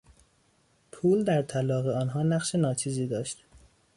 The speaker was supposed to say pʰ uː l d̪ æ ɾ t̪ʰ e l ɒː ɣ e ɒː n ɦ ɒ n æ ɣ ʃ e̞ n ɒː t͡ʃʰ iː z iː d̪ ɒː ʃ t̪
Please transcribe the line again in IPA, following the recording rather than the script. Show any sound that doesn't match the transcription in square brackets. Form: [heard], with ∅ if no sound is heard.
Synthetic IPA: pʰ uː l d̪ æ ɾ t̪ʰ [æ] l ɒː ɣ e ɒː n ɦ [ɒː] n æ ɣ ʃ e̞ n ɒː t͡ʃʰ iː z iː d̪ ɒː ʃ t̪